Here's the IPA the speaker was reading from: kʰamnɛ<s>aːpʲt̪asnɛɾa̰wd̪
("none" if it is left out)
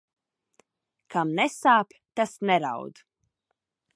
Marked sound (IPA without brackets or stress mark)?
s